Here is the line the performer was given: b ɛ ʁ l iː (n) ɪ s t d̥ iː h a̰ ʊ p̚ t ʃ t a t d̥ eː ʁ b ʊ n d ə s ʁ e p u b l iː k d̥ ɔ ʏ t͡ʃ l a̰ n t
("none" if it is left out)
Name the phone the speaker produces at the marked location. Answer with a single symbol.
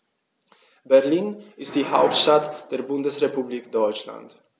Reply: n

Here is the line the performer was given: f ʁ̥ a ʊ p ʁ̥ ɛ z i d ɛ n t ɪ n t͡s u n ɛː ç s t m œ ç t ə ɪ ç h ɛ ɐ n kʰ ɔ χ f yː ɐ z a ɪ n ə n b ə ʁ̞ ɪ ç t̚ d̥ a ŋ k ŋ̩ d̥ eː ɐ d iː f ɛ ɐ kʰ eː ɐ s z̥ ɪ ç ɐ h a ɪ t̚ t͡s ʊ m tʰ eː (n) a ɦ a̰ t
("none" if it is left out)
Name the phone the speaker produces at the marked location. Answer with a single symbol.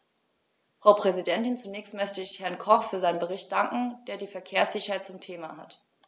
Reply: m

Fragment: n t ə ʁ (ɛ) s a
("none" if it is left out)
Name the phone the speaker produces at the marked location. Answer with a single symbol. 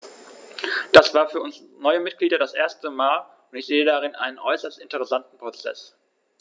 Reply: ɛ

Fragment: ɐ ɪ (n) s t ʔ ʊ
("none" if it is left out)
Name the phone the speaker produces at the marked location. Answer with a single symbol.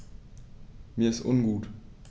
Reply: none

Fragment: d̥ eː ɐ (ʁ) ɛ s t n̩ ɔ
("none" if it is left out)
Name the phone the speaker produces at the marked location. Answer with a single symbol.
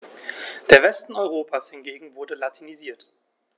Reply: v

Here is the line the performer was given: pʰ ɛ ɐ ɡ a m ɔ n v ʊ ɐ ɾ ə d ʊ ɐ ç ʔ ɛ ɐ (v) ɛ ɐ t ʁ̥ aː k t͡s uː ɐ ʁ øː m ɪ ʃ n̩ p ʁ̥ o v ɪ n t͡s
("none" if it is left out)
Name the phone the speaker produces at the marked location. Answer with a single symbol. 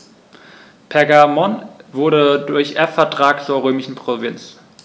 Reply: f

